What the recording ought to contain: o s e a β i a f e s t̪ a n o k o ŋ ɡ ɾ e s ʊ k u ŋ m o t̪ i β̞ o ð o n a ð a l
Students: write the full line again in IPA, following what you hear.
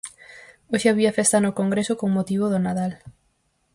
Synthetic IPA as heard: o ʃ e a β i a f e s t̪ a n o k o ŋ ɡ ɾ e s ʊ k o ŋ m o t̪ i β̞ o ð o n a ð a l